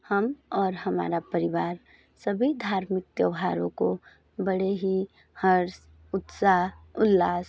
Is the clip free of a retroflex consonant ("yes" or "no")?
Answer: no